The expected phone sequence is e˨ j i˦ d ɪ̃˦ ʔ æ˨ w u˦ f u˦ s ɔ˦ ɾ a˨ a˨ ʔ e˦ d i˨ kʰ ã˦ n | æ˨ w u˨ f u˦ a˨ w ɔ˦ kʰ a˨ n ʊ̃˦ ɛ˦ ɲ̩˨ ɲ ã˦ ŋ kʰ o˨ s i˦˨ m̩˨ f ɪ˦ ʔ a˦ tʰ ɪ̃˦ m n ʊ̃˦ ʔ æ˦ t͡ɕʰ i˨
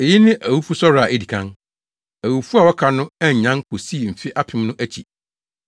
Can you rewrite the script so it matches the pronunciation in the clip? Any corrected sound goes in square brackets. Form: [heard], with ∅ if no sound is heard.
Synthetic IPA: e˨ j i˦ [n] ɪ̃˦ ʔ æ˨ w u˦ f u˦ s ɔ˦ ɾ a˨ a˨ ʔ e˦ d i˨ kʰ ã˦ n | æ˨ w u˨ f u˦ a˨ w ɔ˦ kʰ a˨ n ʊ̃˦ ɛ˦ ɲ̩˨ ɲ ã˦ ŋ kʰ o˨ s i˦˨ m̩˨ f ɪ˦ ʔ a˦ [pʰ] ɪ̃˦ m n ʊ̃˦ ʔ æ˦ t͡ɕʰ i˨